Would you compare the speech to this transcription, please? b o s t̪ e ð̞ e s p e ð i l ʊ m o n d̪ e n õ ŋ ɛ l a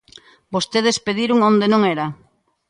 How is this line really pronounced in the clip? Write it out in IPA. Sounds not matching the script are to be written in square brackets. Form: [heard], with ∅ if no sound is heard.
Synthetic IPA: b o s t̪ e ð̞ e s p e ð i [ɾ] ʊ [ŋ] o n d̪ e n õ ŋ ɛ [ɾ] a